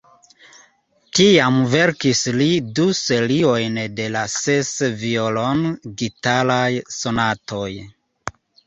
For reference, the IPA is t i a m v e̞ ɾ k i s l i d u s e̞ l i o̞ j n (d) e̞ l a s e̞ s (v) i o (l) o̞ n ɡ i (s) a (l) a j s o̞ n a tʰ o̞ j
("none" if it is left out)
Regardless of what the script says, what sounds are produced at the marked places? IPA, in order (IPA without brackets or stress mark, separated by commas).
d, v, l, t, l